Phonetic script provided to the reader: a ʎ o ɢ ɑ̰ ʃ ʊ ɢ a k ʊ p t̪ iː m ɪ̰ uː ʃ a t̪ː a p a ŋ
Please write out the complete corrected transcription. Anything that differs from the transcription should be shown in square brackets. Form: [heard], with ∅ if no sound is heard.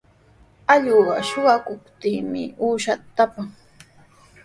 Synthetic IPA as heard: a ʎ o ɢ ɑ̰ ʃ ʊ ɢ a k ʊ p t̪ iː m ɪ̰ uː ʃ a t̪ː a p a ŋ